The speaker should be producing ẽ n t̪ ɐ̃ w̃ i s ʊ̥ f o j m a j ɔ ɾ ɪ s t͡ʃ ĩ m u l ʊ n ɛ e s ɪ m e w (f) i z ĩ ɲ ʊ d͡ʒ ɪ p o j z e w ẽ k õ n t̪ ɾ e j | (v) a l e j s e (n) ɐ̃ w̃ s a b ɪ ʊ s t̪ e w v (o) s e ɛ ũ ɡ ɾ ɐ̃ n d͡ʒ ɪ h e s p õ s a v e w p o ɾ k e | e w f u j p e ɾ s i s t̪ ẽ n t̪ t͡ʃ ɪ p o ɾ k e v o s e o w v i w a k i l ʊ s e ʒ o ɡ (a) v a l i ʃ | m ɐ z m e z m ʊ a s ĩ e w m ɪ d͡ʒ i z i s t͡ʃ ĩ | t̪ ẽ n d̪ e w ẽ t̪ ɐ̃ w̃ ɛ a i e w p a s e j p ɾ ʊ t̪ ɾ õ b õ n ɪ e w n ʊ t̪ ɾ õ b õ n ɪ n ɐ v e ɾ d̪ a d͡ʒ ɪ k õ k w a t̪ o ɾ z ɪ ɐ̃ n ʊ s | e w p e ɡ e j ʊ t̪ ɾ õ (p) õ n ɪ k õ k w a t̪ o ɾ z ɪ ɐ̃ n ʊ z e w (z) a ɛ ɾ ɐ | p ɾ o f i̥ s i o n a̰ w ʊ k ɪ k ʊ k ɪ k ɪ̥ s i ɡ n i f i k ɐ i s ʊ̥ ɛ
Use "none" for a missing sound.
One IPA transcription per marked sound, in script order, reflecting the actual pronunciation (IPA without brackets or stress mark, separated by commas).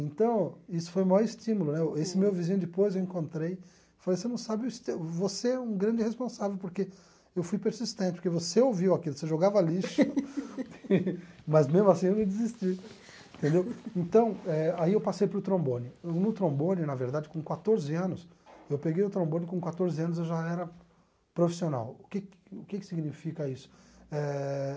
v, f, n, o, a, b, ʒ